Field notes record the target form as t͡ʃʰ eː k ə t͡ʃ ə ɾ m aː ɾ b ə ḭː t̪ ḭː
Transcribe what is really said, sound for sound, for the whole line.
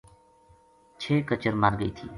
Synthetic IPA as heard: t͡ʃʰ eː k ə t͡ʃ ə ɾ m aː ɾ ɡ ə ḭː t̪ʰ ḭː